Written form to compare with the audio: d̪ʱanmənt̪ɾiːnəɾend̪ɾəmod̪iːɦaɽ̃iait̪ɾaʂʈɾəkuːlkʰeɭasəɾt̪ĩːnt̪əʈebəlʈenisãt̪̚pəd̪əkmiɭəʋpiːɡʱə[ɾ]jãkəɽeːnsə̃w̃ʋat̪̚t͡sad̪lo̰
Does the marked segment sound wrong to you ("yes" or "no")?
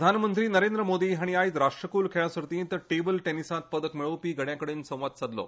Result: yes